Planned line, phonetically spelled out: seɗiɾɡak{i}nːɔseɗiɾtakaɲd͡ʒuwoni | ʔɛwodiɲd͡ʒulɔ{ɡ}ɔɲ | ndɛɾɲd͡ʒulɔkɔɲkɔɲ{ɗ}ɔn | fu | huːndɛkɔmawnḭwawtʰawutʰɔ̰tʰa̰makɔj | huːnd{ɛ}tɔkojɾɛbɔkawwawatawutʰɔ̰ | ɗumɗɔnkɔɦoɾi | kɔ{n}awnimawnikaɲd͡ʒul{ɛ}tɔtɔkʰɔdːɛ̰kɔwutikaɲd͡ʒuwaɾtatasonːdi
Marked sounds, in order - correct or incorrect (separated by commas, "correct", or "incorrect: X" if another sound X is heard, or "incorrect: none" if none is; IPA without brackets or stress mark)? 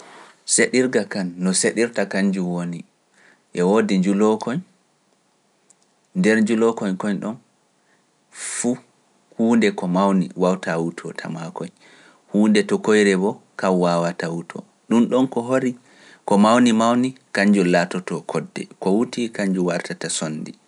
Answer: incorrect: a, incorrect: k, correct, correct, incorrect: m, incorrect: a